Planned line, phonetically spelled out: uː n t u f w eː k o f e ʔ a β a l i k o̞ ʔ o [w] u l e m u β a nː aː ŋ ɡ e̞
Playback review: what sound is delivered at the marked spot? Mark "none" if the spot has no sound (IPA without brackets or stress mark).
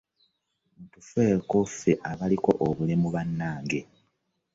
β